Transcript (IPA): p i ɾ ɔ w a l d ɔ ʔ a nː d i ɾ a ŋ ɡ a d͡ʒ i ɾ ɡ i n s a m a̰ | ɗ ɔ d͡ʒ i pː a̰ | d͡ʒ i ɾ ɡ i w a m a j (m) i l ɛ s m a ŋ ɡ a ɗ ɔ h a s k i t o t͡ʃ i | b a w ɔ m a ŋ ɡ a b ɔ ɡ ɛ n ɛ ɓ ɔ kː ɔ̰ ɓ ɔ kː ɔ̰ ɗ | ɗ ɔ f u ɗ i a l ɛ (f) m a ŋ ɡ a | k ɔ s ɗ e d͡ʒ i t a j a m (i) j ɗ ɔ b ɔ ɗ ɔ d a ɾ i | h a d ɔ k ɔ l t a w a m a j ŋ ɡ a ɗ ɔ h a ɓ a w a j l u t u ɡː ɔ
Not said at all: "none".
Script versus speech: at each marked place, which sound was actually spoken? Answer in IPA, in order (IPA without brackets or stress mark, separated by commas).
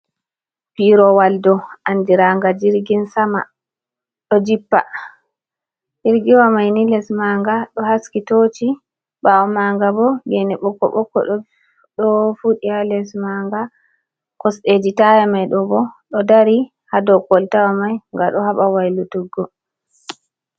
n, s, a